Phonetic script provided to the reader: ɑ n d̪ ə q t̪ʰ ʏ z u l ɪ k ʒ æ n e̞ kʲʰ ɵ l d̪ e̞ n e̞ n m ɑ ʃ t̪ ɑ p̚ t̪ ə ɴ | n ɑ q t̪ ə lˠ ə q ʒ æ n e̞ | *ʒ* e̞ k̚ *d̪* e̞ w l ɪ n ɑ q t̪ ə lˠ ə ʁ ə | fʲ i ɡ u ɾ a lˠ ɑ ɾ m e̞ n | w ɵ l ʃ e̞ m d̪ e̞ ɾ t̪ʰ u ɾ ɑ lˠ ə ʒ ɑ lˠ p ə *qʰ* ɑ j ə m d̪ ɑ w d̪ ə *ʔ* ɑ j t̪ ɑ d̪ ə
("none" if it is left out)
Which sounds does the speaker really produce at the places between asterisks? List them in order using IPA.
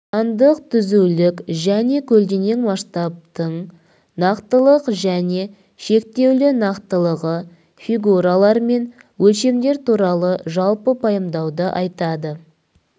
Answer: ʃ, t̪, pʰ, ʔ

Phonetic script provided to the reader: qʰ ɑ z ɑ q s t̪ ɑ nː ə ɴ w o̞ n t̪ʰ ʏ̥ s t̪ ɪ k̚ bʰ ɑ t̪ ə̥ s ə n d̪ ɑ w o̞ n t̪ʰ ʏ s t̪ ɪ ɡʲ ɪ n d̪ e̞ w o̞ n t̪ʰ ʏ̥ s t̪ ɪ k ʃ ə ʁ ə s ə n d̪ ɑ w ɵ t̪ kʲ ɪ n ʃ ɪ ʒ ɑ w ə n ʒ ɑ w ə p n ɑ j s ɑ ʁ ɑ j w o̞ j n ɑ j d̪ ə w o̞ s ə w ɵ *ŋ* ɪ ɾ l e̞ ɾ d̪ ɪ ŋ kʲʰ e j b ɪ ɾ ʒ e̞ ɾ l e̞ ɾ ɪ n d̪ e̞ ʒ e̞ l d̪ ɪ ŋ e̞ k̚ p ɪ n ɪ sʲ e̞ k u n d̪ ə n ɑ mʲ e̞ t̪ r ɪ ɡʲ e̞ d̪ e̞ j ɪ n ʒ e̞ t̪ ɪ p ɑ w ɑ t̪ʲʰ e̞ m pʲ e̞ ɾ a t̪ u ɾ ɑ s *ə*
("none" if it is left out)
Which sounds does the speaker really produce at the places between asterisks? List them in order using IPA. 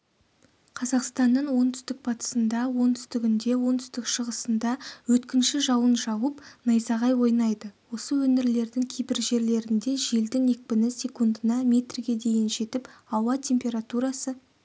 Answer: n, ə

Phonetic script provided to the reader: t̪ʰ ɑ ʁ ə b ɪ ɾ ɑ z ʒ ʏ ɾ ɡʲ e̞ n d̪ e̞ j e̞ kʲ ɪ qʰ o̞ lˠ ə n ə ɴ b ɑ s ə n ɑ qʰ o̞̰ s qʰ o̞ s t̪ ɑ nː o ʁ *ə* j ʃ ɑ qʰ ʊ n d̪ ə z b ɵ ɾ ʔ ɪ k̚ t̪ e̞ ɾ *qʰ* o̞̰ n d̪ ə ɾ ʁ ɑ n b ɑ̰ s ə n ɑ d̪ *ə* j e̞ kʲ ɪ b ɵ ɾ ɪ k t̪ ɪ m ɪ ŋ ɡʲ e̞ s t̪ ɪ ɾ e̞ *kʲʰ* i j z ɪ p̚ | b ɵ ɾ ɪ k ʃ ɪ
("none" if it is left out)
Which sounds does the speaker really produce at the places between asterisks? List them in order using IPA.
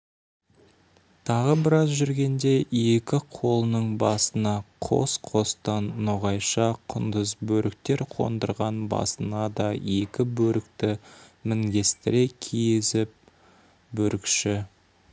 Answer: ɑ, qʰ, ɑ, kʲʰ

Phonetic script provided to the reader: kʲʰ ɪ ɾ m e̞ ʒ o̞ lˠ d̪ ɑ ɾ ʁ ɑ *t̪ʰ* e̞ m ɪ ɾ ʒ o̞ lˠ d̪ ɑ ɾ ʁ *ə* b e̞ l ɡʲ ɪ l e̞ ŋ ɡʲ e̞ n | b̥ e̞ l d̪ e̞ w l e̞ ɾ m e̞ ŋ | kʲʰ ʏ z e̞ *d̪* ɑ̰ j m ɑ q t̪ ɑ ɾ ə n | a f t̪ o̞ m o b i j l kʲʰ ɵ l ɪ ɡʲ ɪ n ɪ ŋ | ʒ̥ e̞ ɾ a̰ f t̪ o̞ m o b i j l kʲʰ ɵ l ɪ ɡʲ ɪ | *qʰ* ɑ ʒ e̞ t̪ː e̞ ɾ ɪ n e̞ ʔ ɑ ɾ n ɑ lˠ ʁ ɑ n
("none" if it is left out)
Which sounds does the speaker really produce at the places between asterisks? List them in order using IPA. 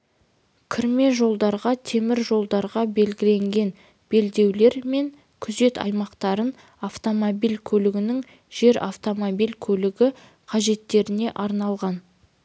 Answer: t̪ʰ, ɑ, t̪, qʰ

